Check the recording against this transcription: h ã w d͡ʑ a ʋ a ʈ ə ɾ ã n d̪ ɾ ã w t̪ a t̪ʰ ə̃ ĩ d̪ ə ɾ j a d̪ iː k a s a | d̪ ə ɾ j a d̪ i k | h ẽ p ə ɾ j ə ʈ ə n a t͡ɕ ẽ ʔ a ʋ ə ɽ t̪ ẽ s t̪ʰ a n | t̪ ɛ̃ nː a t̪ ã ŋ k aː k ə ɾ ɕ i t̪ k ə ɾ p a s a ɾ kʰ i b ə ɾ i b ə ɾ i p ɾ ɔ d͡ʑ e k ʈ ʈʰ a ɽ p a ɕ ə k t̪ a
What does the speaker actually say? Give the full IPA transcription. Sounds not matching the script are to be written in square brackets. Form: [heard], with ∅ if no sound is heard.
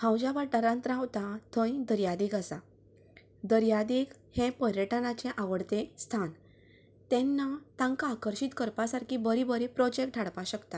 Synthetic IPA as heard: h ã w d͡ʑ a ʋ a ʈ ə ɾ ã n [t̪] ɾ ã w t̪ a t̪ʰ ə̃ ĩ d̪ ə ɾ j a d̪ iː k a s a | d̪ ə ɾ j a d̪ i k | h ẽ p ə ɾ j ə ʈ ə n a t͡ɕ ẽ ʔ a ʋ ə ɽ t̪ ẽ s t̪ʰ a n | t̪ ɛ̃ nː a t̪ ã ŋ k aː k ə ɾ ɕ i t̪ k ə ɾ p a s a ɾ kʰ i b ə ɾ i b ə ɾ i p ɾ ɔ d͡ʑ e k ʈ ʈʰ a ɽ p a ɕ ə k t̪ a